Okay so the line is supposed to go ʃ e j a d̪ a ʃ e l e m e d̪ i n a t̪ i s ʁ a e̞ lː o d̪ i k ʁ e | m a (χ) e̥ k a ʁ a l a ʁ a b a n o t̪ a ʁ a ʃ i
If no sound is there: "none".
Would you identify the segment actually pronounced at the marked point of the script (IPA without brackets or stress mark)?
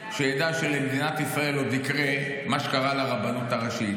ʃ